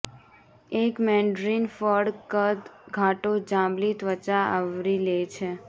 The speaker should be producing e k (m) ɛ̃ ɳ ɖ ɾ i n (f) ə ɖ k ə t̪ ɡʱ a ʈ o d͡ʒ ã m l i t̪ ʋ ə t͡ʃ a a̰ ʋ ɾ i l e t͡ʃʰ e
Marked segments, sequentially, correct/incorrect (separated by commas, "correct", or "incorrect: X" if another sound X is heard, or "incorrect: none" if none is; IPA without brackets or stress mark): correct, correct